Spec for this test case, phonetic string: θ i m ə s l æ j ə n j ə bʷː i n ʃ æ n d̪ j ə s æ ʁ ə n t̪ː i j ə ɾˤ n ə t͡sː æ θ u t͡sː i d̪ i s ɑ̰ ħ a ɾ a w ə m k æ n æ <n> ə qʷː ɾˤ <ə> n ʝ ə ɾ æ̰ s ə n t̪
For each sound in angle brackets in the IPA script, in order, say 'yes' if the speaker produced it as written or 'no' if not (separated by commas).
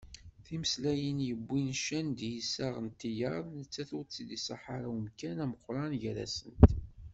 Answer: no, no